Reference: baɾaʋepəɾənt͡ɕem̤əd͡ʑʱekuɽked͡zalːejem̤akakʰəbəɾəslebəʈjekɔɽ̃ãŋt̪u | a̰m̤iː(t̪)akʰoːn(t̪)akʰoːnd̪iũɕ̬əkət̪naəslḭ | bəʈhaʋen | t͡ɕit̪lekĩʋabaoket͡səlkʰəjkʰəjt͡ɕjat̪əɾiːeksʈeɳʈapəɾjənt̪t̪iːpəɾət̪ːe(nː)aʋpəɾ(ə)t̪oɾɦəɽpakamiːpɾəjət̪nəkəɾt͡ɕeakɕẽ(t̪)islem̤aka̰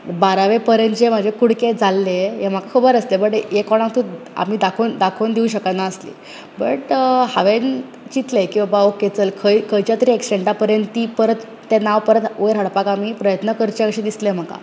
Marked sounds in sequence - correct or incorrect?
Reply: incorrect, incorrect, incorrect, correct, incorrect

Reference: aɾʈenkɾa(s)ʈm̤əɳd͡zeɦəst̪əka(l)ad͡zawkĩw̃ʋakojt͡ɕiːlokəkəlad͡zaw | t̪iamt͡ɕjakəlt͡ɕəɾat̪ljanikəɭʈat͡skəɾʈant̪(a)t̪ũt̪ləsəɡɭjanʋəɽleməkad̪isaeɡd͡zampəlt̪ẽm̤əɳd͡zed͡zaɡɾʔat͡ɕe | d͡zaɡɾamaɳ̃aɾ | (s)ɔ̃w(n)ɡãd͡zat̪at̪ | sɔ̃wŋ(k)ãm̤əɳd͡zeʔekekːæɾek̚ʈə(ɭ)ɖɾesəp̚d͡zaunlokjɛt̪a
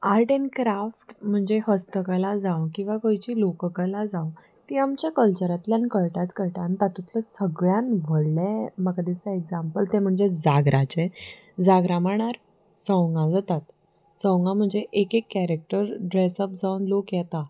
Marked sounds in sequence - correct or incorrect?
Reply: incorrect, correct, correct, correct, incorrect, incorrect, incorrect

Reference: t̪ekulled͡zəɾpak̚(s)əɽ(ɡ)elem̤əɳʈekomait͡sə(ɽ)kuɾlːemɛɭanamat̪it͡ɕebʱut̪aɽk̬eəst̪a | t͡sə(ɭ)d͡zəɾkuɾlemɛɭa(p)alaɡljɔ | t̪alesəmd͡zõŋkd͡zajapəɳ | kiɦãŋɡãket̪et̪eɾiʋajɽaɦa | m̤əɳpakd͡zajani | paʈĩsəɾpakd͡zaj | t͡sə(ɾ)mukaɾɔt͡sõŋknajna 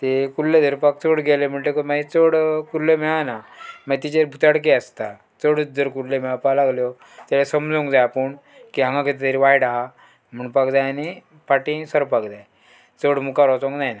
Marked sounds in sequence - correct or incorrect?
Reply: incorrect, correct, correct, incorrect, correct, incorrect

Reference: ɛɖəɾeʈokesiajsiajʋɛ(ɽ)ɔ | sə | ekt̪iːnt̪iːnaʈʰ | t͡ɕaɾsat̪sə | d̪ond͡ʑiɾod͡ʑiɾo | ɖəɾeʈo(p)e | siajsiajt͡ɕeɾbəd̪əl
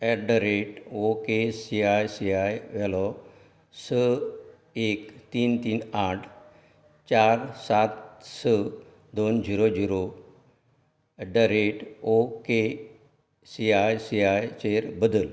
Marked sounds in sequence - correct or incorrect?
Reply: incorrect, incorrect

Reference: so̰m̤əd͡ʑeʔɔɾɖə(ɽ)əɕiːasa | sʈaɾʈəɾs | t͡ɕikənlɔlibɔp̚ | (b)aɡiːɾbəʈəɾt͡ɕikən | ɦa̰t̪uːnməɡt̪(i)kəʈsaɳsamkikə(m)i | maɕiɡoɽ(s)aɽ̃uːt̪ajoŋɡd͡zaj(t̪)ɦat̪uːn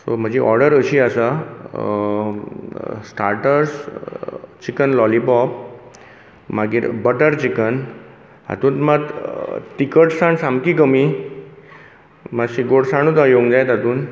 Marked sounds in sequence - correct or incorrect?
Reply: incorrect, incorrect, correct, correct, correct, correct

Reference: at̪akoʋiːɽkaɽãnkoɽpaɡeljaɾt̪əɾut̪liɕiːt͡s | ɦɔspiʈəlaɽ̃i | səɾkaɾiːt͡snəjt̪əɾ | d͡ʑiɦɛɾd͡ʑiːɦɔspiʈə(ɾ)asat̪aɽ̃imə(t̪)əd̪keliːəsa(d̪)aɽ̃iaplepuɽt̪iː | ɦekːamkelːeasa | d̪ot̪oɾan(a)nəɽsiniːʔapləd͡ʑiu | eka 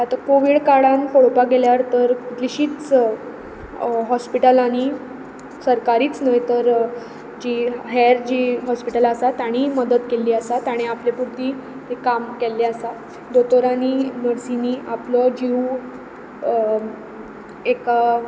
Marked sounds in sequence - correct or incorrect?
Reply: incorrect, incorrect, incorrect, incorrect

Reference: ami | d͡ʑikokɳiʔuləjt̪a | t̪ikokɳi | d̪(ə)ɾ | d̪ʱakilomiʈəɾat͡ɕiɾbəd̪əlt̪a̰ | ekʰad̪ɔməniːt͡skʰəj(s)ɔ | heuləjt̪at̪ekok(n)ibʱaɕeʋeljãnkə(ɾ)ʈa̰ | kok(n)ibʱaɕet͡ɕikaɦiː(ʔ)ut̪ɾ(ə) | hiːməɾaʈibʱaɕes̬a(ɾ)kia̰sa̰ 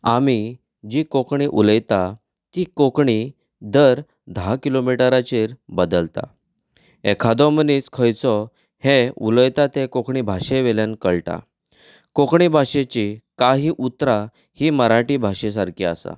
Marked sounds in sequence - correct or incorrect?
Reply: correct, incorrect, incorrect, incorrect, incorrect, correct, incorrect, correct

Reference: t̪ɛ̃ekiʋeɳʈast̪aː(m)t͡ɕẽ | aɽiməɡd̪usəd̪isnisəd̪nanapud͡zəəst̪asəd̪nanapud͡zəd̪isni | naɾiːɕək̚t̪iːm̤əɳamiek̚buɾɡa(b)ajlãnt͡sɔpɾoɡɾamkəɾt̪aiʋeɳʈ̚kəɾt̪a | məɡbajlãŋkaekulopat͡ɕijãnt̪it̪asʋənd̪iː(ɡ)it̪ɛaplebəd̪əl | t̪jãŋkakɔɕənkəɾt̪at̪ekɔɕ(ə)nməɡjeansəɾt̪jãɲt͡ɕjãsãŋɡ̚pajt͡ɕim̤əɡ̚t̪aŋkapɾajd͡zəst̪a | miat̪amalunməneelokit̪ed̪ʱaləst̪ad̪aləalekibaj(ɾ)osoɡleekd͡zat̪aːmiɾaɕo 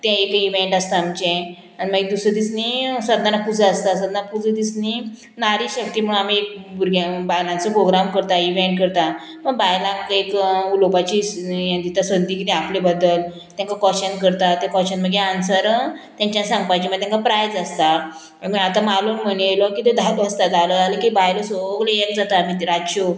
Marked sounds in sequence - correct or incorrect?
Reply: correct, correct, incorrect, correct, incorrect

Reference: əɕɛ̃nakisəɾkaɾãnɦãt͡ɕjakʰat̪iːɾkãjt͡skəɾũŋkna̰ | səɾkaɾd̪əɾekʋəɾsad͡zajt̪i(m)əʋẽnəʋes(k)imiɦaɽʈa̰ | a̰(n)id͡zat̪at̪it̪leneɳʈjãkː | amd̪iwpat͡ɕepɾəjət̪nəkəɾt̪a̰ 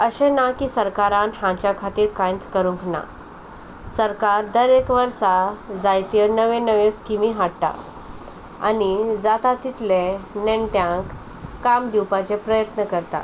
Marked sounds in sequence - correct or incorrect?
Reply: incorrect, correct, correct

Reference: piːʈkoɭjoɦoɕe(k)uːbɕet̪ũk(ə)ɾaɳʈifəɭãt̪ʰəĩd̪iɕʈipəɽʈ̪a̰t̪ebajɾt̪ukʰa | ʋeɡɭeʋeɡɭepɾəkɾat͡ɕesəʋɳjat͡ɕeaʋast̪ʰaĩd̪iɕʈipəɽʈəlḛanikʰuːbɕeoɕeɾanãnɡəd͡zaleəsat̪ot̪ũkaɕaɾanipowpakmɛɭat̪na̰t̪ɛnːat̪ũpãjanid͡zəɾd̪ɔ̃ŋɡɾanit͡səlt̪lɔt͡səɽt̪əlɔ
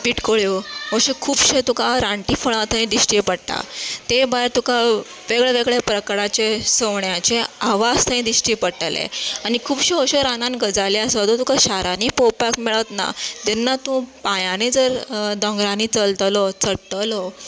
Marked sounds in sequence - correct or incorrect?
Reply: incorrect, incorrect

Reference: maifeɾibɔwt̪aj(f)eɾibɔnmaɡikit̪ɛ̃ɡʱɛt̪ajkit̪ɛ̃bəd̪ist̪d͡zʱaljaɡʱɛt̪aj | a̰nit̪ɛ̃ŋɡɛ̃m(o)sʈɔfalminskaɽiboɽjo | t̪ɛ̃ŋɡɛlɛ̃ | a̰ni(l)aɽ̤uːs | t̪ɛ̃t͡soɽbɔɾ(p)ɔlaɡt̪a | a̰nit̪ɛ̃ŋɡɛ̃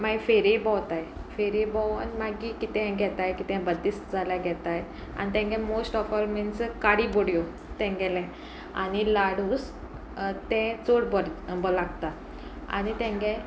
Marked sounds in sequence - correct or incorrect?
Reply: correct, correct, correct, incorrect

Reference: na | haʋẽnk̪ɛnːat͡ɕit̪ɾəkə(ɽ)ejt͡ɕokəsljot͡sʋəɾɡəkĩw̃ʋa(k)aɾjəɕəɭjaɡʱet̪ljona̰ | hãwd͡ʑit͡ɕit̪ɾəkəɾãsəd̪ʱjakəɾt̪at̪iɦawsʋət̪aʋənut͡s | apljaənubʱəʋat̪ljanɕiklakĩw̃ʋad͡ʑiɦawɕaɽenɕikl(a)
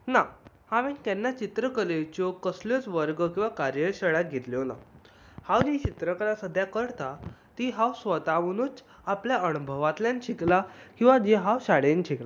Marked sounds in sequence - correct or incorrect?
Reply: incorrect, correct, correct

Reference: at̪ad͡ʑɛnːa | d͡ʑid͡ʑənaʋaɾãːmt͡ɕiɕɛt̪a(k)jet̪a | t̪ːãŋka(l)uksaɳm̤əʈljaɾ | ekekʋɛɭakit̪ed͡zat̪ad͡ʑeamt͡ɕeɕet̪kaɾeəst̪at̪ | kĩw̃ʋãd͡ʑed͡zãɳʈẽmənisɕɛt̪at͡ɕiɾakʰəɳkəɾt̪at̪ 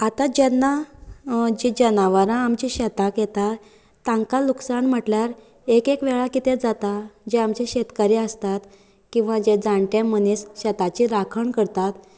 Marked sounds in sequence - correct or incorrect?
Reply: correct, correct

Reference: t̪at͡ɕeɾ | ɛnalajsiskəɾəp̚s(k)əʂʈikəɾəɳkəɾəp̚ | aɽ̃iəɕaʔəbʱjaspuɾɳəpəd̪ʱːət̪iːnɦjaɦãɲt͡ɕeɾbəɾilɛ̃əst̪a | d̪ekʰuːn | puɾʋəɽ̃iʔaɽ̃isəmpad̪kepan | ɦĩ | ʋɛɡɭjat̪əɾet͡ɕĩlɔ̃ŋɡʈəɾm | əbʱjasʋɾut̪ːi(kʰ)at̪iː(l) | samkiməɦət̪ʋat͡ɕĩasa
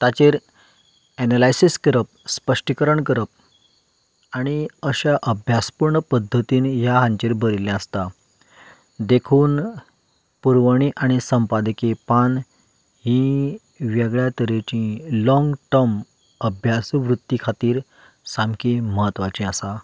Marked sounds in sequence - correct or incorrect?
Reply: incorrect, correct, incorrect

